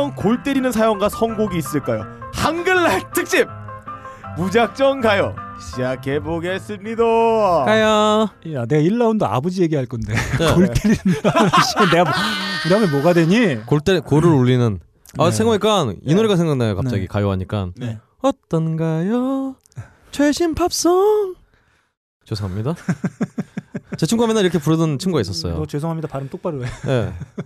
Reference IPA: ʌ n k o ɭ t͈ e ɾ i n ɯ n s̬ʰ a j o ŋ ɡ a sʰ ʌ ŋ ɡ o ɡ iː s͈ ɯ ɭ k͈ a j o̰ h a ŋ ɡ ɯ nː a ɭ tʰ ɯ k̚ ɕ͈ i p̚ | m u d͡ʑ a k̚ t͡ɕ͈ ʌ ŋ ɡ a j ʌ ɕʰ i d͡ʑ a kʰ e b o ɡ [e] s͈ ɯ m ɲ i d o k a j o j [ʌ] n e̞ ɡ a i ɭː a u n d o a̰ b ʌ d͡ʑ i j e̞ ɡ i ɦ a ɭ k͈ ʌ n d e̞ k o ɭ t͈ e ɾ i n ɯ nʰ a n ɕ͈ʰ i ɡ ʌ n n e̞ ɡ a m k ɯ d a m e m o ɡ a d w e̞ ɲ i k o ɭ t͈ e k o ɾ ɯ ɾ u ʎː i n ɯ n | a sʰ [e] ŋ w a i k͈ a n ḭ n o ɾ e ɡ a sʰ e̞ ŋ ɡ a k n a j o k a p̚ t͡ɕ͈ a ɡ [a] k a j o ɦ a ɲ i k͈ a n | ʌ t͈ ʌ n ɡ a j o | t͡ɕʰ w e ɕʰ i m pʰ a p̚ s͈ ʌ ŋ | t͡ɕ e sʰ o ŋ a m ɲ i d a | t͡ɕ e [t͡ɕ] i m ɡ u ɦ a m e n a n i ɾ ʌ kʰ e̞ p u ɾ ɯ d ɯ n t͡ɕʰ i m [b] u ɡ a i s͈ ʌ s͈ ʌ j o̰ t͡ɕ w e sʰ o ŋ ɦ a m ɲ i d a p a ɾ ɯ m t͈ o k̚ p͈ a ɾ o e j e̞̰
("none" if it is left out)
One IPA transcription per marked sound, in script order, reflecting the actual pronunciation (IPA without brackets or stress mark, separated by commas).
e, a, e, i, t͡ɕʰ, ɡ